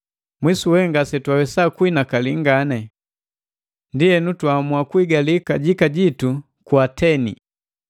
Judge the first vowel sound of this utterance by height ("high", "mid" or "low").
high